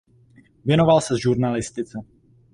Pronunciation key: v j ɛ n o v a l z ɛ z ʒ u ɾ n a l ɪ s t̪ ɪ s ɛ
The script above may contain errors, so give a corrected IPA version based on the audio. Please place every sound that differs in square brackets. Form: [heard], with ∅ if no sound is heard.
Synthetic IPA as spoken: v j ɛ n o v a l [s] ɛ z ʒ u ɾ n a l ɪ s t̪ ɪ [t͡s] ɛ